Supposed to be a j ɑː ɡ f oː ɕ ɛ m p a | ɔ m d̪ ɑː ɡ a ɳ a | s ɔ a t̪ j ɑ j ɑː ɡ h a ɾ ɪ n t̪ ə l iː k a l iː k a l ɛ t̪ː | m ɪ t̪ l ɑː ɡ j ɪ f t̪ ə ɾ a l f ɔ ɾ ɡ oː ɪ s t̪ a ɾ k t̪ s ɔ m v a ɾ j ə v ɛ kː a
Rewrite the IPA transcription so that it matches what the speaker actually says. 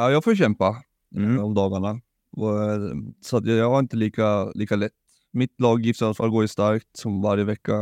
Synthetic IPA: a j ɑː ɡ f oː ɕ ɛ m p a | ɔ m d̪ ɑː ɡ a ɳ a | s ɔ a t̪ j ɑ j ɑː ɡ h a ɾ ɪ n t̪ ə l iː k a l iː k a l ɛ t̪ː | m ɪ t̪ l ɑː ɡ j ɪ f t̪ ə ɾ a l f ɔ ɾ ɡ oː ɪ s t̪ a ɾ k t̪ s ɔ m v a ɾ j ə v ɛ kː a